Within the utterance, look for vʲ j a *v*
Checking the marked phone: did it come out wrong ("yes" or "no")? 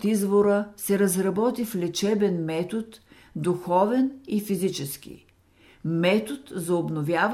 no